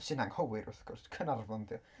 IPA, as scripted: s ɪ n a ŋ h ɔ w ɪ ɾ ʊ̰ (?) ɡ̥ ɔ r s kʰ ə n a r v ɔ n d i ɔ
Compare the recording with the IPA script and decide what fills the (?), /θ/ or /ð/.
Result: θ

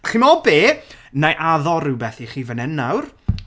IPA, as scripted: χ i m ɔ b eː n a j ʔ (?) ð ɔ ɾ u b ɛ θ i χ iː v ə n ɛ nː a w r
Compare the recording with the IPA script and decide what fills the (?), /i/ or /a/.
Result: a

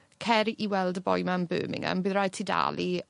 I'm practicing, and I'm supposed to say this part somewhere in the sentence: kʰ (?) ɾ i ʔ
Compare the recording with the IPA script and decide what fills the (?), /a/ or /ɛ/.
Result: ɛ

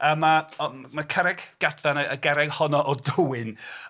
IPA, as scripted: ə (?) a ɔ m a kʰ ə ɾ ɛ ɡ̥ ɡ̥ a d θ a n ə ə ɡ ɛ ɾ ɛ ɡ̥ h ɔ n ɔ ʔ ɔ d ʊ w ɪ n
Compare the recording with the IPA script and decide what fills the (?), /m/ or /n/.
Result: m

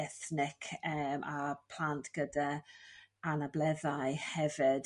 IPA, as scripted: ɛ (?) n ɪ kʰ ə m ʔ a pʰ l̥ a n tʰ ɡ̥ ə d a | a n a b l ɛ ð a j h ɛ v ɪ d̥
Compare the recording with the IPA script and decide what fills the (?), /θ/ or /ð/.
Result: θ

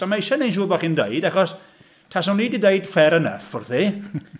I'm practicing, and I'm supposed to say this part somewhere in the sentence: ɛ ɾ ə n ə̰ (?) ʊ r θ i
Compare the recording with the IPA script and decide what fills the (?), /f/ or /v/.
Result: f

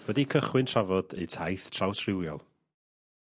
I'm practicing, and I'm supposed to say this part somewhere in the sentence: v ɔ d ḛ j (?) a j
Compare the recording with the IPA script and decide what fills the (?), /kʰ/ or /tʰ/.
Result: tʰ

